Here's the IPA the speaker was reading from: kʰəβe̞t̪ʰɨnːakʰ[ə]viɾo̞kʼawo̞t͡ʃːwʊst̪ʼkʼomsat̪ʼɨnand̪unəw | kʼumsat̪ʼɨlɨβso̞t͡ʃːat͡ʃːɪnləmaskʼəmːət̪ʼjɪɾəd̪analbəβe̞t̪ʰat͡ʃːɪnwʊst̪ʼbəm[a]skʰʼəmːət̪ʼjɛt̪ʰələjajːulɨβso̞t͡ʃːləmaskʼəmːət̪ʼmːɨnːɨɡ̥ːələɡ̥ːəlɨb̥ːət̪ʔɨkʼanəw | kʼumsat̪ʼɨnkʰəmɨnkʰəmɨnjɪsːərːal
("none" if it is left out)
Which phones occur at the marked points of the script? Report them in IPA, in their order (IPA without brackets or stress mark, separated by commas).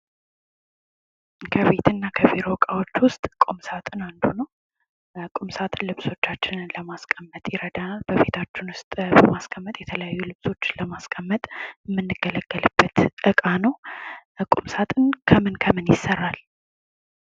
ə, a